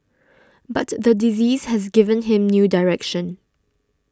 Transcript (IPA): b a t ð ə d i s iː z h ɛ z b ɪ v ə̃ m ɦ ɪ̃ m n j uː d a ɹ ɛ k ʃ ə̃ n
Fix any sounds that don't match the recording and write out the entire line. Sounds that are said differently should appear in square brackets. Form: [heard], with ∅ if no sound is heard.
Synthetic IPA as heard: b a t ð ə d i [z] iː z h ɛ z [ɡ] ɪ v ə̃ [n] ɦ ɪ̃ m n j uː d a ɹ ɛ k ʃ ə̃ n